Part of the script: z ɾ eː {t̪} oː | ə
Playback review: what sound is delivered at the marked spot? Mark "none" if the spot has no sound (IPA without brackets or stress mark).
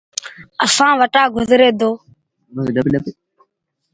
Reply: d̪